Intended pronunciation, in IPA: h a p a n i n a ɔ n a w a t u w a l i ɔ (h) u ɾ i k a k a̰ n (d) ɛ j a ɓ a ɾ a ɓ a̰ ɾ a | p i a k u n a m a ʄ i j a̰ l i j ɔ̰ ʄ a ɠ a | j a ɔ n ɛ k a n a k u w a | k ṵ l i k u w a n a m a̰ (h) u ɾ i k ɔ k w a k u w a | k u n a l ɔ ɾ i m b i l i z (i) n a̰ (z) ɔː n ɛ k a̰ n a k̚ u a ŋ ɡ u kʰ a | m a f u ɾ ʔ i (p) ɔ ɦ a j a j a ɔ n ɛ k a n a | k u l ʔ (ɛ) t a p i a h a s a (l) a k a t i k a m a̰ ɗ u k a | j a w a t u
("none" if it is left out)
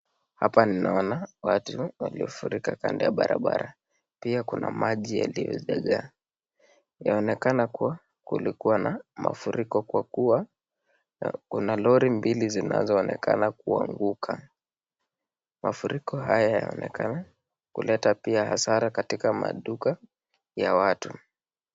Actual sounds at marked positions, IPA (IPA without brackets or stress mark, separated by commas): f, d, f, i, z, k, ɛ, ɾ